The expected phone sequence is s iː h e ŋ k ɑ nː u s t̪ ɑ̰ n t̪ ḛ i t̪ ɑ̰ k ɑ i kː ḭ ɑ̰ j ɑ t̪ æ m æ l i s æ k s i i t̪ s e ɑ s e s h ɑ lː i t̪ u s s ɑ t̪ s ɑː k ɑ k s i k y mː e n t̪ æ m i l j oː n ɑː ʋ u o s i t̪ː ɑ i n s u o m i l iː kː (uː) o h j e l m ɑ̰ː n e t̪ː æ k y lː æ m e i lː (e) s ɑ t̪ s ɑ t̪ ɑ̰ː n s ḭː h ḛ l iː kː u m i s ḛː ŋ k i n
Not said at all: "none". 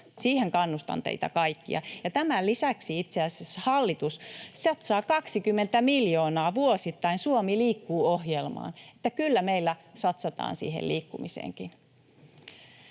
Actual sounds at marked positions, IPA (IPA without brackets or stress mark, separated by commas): uː, æ